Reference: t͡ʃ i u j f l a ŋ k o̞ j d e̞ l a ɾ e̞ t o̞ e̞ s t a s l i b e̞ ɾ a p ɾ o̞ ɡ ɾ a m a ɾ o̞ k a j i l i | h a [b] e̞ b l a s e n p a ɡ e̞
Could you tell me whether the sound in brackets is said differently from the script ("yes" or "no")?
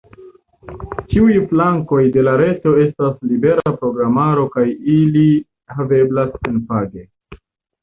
yes